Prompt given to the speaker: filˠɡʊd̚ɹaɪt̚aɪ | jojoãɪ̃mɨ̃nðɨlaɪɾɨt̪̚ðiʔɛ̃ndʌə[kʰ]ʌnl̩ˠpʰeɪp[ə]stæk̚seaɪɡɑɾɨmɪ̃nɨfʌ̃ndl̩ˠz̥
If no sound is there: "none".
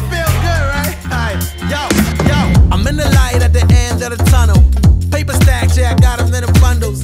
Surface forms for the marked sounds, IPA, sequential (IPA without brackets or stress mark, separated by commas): tʰ, ə